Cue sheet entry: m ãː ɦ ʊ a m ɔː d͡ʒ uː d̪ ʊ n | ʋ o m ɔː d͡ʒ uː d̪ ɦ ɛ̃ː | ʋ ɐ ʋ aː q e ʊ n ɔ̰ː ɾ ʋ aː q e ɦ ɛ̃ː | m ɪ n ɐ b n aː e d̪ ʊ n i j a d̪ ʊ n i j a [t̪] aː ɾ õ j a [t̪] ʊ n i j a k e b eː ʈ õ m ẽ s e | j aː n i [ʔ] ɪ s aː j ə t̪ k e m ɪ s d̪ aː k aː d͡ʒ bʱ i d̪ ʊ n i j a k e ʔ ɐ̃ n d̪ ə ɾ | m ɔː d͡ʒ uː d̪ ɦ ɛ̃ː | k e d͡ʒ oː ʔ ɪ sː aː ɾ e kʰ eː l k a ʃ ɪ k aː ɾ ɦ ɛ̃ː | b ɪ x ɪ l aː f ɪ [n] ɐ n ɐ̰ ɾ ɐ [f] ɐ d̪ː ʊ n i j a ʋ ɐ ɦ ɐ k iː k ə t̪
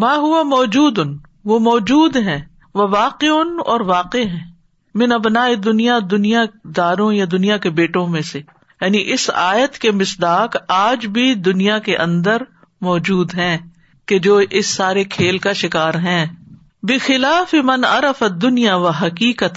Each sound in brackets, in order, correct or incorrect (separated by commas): incorrect, incorrect, correct, incorrect, correct